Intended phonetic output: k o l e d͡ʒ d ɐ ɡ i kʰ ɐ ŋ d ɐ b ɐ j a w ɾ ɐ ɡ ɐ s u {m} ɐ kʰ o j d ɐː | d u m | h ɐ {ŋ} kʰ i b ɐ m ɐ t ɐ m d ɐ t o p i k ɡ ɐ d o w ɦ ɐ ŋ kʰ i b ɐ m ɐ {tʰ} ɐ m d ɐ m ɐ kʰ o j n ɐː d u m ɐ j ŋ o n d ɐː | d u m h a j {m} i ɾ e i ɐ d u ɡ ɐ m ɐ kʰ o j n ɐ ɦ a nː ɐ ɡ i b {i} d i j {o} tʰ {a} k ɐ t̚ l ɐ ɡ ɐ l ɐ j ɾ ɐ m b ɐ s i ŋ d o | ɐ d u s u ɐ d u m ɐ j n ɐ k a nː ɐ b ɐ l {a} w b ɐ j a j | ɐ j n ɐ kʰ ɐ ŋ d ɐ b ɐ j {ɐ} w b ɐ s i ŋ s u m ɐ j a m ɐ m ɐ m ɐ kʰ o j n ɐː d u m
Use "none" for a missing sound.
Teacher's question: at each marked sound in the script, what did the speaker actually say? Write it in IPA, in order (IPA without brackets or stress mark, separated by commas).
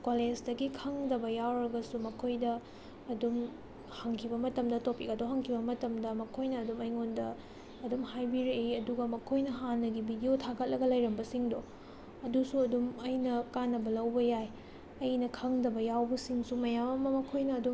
m, ŋ, t, b, i, o, a, ɐ, a